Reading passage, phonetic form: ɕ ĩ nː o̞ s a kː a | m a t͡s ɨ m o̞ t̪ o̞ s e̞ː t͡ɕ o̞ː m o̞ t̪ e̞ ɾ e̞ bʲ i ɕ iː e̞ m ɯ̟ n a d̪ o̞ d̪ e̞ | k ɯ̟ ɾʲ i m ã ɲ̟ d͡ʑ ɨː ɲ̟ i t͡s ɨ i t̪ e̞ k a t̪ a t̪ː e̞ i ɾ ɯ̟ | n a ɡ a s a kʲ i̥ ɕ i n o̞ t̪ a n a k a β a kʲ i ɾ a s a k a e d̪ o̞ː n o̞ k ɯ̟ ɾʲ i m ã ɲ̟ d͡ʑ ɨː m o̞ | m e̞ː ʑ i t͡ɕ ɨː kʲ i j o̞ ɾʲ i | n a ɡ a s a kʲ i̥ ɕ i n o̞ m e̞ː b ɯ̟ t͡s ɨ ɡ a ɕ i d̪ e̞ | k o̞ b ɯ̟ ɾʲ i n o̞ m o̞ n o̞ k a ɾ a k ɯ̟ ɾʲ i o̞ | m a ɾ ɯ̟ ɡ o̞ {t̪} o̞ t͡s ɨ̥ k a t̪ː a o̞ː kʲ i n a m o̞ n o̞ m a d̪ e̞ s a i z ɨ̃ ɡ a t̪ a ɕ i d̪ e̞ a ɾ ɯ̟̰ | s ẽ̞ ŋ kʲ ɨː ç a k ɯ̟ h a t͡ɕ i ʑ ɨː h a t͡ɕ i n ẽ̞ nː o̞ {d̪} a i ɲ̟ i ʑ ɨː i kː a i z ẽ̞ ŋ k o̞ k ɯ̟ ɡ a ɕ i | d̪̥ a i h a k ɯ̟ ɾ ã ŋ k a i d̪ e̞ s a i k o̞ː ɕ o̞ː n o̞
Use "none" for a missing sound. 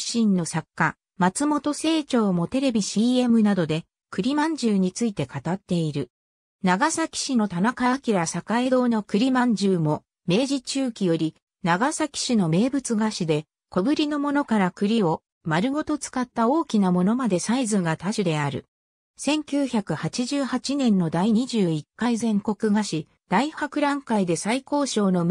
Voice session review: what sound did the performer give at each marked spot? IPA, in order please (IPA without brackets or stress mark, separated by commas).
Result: t̪, d̪